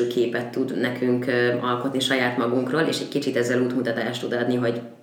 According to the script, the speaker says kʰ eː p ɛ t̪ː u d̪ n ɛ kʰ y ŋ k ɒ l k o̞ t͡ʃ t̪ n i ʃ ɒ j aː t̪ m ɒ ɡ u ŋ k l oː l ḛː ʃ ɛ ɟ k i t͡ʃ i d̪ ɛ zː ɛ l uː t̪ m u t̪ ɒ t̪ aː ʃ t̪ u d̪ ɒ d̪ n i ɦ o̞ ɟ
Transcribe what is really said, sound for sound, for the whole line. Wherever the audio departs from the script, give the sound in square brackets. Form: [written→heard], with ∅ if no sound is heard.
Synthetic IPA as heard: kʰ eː p ɛ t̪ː u d̪ n ɛ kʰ y ŋ k ɒ l k o̞ [t͡ʃ→∅] t̪ n i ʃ ɒ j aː t̪ m ɒ ɡ u ŋ k [l→r] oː l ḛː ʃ ɛ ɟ k i t͡ʃ i [d̪→t̪] ɛ zː ɛ l uː t̪ m u t̪ ɒ t̪ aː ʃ t̪ u d̪ ɒ d̪ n i ɦ o̞ ɟ